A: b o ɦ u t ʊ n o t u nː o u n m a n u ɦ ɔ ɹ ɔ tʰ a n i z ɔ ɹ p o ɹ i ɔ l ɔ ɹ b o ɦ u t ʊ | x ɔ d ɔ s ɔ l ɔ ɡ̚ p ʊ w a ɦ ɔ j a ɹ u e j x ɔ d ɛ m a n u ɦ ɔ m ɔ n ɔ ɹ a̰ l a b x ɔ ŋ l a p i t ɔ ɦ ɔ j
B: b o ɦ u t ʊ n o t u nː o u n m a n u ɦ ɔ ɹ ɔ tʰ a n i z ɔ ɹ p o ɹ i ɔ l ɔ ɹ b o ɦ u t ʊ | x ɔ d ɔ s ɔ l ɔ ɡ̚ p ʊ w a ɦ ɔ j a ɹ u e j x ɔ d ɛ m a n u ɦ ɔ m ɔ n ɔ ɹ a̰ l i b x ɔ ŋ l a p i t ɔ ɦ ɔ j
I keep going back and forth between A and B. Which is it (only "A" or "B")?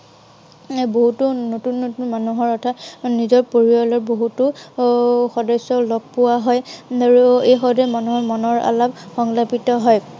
A